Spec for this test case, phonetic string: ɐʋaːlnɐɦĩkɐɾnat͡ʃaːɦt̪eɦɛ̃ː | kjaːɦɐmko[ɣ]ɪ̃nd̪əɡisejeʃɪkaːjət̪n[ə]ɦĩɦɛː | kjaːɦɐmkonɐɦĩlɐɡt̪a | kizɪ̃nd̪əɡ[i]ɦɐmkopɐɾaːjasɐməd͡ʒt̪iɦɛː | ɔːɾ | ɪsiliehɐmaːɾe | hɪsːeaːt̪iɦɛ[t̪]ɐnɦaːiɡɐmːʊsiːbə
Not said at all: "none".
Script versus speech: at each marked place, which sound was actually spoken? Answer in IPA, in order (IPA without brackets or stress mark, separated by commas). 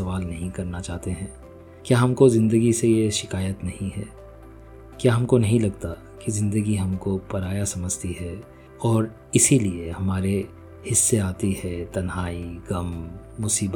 z, ɐ, i, t̪